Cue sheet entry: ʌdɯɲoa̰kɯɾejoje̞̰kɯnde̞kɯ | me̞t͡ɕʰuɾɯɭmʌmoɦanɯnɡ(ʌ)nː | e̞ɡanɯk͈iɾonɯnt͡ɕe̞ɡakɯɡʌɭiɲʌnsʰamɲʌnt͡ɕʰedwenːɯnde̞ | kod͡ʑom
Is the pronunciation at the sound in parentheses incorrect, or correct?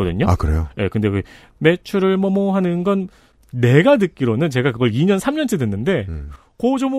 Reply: correct